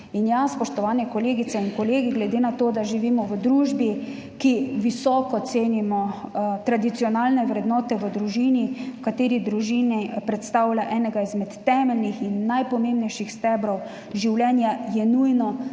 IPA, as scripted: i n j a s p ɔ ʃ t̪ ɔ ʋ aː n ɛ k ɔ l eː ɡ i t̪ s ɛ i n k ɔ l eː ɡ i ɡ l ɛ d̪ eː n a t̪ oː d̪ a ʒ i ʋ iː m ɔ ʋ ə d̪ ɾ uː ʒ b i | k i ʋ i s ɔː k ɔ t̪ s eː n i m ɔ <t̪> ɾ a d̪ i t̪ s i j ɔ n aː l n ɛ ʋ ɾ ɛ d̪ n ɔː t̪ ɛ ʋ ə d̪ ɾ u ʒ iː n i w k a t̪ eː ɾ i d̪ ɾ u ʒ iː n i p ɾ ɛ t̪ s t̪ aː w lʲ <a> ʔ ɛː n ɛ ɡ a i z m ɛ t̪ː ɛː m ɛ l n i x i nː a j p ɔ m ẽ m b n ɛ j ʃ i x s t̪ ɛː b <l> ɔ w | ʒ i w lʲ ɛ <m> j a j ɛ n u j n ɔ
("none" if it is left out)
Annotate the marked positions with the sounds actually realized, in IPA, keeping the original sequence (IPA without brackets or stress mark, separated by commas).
t̪, a, ɾ, n